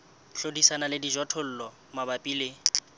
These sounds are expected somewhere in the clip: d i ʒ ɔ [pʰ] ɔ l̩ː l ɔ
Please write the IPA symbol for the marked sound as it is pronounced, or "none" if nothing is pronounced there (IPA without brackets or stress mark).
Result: tʰ